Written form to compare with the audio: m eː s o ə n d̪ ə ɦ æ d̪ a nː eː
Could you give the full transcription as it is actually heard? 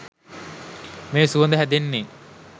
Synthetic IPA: m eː s u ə n d̪ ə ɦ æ d̪ e nː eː